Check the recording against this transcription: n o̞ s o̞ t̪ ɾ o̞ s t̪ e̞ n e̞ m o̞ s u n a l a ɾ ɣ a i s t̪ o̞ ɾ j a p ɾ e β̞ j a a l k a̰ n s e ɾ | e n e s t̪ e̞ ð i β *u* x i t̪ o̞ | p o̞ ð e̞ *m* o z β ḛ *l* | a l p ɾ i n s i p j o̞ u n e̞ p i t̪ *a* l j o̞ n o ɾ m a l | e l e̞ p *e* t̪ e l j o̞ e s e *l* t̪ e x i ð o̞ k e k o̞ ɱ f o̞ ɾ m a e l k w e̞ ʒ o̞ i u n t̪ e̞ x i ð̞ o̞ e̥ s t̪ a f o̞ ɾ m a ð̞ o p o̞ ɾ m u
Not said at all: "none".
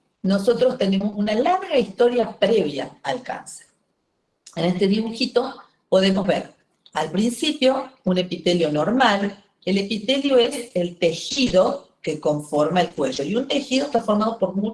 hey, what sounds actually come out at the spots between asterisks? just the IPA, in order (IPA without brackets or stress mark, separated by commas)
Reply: u, m, ɾ, e, i, l